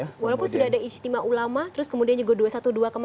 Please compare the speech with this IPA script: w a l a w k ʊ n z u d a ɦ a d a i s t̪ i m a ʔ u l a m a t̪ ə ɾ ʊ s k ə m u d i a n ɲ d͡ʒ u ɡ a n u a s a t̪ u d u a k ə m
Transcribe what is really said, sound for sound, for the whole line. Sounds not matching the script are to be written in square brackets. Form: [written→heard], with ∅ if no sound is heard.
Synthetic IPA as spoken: w a l a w [k→p] ʊ n [z→s] u d a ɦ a d a i s t̪ i m a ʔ u l a m a t̪ ə ɾ ʊ s k ə m u d i a n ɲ d͡ʒ u ɡ a [n→d] u a s a t̪ u d u a k ə m